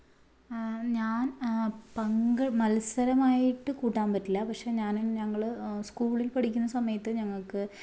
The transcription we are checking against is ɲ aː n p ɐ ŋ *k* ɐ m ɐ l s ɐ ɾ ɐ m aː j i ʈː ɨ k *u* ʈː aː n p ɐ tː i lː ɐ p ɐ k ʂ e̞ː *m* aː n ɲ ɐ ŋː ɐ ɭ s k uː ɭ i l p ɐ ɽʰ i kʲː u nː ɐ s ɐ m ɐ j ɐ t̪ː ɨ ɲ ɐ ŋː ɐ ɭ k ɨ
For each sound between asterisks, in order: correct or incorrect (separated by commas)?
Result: incorrect, incorrect, incorrect